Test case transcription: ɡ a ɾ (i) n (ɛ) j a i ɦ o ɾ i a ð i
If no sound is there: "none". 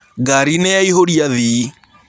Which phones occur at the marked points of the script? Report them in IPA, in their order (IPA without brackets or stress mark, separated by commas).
i, ɛ